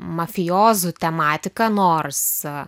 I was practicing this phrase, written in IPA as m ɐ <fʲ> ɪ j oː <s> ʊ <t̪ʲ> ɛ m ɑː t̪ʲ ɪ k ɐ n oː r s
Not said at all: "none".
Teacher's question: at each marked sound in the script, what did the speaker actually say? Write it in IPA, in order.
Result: fʲ, z, t̪ʲ

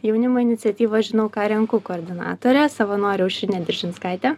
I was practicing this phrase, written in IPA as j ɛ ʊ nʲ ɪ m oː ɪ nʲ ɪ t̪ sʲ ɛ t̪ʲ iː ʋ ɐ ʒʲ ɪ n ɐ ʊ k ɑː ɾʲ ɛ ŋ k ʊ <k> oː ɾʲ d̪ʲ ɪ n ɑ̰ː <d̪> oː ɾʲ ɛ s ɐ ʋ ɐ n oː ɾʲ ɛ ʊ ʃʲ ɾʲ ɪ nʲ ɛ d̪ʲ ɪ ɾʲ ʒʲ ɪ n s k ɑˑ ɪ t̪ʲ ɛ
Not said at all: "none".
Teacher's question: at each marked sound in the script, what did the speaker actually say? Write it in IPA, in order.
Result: k, t̪

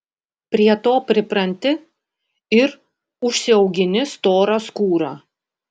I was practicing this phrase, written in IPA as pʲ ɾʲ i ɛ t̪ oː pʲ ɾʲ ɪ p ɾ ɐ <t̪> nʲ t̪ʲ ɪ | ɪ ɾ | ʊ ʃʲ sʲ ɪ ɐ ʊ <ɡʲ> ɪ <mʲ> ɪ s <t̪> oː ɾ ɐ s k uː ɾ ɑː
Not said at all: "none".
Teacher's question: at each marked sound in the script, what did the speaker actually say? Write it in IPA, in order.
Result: none, ɡʲ, nʲ, t̪

